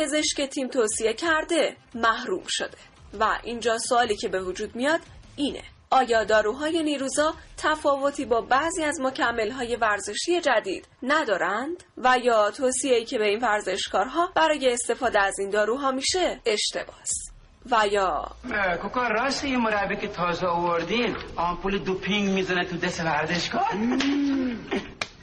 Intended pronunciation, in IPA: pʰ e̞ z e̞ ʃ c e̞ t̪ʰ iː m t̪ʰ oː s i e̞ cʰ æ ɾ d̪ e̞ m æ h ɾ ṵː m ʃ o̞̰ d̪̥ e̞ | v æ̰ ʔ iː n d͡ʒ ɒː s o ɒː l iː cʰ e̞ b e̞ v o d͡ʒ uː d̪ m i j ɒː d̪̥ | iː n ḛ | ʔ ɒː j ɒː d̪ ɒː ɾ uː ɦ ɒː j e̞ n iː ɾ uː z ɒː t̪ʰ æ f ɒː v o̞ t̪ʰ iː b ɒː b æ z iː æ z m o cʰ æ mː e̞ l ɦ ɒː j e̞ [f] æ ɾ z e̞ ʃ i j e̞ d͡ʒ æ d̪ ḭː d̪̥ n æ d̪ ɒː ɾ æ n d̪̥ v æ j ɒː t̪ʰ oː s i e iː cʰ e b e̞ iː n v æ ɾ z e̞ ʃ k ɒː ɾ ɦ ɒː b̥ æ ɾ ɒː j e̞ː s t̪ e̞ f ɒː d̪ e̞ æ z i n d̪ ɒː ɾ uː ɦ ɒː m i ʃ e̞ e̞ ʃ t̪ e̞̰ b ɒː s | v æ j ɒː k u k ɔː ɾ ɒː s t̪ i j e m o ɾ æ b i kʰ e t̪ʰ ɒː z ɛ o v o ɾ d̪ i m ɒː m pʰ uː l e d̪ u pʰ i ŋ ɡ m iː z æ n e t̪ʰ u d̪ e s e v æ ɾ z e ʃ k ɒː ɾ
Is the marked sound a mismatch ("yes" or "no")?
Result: yes